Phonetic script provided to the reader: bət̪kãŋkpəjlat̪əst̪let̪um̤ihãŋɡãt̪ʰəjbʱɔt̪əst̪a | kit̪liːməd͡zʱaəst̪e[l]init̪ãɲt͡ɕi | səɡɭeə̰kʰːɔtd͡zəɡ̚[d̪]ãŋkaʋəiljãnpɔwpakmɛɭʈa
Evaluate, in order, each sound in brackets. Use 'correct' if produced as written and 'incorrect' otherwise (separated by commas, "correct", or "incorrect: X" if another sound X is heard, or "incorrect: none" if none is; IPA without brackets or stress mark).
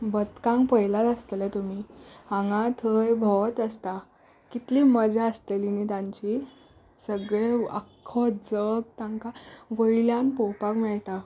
correct, incorrect: t̪